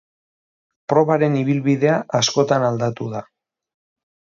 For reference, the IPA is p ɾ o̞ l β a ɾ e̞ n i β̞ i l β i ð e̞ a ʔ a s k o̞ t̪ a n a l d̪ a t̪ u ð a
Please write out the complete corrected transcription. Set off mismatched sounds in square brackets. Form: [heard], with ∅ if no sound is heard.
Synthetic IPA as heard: p ɾ o̞ [∅] β a ɾ e̞ n i β̞ i l β i ð e̞ a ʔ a s k o̞ t̪ a n a l d̪ a t̪ u ð a